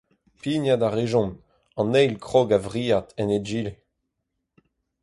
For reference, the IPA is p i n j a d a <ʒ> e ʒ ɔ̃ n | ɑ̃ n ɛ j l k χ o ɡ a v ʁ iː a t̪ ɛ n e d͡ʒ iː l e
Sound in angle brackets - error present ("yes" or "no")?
yes